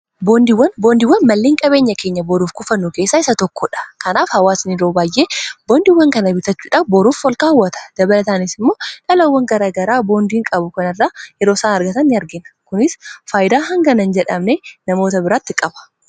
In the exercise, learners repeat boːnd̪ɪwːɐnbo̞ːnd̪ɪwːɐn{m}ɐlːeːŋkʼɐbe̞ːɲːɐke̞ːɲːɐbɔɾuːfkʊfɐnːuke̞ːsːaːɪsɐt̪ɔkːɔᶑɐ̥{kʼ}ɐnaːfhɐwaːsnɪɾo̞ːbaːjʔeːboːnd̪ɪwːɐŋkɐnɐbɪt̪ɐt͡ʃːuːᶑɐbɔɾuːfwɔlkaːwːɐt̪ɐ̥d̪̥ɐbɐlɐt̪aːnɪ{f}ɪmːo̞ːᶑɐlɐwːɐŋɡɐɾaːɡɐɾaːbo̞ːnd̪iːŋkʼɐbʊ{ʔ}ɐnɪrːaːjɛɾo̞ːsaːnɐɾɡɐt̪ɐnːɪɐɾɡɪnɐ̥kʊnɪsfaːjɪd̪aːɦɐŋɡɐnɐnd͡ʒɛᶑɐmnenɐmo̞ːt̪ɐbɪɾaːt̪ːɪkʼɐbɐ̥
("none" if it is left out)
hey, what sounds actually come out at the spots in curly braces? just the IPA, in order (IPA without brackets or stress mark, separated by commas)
m, k, s, k